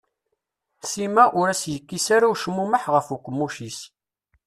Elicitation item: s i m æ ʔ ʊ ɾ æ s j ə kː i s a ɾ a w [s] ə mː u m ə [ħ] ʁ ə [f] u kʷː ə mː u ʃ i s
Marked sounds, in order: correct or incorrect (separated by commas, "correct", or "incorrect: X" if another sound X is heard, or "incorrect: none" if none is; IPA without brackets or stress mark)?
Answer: incorrect: ʃ, correct, correct